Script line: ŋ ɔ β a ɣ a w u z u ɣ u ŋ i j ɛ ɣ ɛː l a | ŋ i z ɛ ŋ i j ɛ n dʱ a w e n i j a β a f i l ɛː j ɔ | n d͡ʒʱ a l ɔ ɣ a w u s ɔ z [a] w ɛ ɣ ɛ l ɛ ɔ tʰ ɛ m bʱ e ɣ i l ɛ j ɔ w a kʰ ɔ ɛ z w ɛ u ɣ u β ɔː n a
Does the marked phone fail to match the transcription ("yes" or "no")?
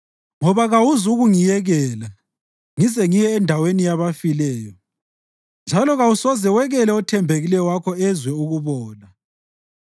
yes